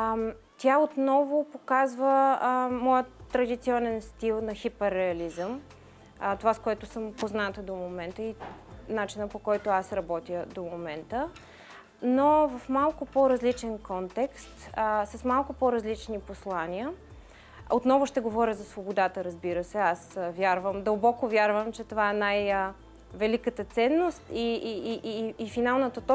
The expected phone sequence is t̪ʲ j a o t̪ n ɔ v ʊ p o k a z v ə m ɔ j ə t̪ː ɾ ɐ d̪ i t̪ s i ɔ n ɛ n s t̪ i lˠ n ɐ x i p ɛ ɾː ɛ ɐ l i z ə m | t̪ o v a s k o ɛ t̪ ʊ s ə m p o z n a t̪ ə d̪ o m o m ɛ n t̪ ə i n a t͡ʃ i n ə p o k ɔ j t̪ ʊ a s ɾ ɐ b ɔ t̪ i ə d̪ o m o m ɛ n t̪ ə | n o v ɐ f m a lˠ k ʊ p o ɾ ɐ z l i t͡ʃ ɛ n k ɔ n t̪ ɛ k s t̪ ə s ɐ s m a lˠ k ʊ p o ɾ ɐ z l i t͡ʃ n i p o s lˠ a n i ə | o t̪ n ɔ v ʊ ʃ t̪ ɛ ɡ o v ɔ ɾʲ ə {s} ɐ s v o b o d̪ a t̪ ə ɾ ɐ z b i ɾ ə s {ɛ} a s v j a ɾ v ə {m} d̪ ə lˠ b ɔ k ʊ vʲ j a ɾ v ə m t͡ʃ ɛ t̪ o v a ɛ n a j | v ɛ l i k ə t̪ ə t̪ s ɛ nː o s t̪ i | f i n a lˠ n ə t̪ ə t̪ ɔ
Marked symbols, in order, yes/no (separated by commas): no, yes, yes